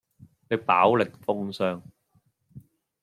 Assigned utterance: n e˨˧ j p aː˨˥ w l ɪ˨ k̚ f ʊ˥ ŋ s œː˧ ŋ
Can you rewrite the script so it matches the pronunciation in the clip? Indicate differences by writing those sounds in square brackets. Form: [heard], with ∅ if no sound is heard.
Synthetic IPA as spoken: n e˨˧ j p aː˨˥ w l ɪ˨ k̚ f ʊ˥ ŋ s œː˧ ŋ